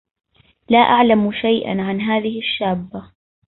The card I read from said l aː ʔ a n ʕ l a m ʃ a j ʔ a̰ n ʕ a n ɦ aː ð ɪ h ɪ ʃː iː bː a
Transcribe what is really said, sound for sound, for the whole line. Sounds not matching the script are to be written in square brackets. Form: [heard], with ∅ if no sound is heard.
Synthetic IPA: l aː ʔ a [∅] ʕ l a m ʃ a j ʔ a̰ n ʕ a n ɦ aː ð ɪ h ɪ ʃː [aː] bː a